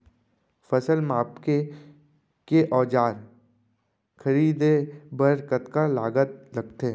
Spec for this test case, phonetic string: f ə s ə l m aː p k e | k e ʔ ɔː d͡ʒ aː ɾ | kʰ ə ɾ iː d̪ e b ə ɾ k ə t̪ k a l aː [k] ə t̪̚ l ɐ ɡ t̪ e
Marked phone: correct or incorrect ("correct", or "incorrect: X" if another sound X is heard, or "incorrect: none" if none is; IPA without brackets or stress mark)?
incorrect: ɡ